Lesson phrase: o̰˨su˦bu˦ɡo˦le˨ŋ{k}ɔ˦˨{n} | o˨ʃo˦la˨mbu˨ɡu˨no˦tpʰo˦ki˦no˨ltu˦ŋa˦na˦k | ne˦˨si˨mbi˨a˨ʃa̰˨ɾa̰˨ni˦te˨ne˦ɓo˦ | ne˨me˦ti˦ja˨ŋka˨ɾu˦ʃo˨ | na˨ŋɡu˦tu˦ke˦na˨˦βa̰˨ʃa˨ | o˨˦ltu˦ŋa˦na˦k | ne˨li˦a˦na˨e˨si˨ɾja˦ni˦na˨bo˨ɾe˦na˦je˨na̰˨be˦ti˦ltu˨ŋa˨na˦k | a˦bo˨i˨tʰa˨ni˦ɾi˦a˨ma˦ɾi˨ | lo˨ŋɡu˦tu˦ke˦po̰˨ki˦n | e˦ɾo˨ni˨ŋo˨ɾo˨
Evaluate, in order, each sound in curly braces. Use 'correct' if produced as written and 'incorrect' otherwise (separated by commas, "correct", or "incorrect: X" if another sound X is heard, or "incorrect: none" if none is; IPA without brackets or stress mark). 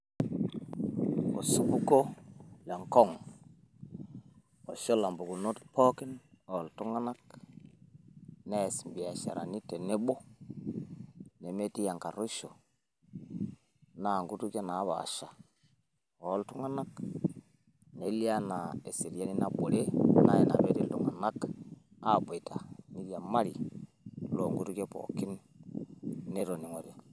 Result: correct, incorrect: ŋ